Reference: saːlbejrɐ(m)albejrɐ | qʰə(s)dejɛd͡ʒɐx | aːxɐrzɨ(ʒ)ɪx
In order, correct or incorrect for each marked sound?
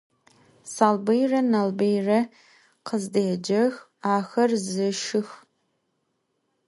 incorrect: n, incorrect: z, incorrect: ʃ

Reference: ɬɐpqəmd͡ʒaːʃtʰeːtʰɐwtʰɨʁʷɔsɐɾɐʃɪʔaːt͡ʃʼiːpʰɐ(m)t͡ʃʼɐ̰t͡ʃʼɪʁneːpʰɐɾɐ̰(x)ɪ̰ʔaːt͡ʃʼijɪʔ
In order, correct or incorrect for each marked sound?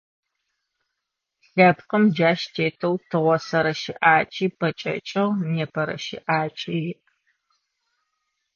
incorrect: none, incorrect: ʃ

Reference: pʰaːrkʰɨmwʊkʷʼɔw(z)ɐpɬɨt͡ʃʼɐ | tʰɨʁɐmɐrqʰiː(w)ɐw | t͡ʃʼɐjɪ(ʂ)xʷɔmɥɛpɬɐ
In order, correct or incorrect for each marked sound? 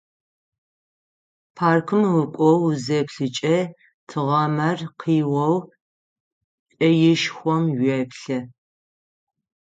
correct, correct, incorrect: ʃ

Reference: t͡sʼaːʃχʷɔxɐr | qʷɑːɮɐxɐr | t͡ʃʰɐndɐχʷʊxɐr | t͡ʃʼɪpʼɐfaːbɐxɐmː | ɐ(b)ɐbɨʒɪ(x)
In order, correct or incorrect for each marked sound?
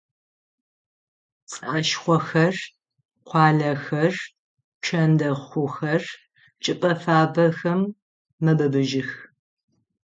correct, correct

